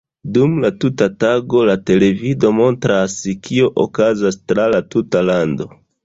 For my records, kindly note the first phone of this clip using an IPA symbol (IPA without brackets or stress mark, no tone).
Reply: d